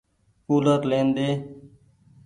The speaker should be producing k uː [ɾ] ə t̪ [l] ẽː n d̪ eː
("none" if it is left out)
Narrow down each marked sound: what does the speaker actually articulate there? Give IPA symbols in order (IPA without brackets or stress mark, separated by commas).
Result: l, l